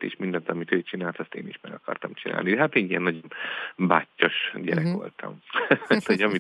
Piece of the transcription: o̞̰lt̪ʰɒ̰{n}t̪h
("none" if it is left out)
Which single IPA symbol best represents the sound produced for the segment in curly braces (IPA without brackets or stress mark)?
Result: m